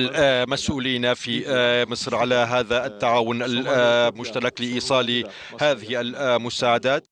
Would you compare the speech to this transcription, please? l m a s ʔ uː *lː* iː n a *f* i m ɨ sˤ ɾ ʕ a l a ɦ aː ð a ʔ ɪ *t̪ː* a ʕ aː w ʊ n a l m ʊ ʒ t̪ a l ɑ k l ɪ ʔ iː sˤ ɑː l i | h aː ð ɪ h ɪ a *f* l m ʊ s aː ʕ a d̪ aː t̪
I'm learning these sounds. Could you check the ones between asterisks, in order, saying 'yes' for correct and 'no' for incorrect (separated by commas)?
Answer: no, yes, yes, no